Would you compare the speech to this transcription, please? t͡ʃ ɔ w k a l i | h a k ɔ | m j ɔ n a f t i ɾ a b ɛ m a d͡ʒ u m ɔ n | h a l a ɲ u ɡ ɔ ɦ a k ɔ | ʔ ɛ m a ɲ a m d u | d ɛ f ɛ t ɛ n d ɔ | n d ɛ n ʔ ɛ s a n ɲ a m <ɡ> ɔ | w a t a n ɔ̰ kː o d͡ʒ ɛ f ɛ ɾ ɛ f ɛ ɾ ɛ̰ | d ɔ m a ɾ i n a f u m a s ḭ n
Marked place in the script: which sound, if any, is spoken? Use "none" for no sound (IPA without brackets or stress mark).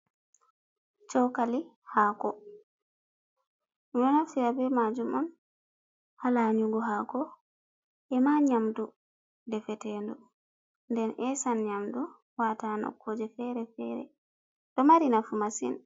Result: d